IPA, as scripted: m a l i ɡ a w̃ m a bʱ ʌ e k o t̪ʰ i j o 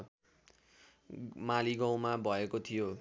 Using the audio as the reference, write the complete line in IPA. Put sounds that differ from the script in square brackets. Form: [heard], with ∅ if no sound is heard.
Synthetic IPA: m a l i ɡ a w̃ m a bʱ ʌ e k o t̪ʰ i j o